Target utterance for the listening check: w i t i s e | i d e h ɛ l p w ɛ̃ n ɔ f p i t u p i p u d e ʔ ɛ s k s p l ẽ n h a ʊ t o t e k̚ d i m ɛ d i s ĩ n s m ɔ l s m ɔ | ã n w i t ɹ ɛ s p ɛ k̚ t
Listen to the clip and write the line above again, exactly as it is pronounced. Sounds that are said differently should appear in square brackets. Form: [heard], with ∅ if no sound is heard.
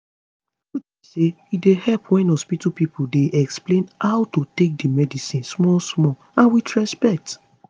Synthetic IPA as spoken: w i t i s e | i d e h ɛ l p w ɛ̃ n ɔ [s] p i t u p i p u d e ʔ ɛ [∅] k s p l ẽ n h a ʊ t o t e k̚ d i m ɛ d i s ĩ n s m ɔ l s m ɔ | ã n w i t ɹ ɛ s p ɛ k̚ t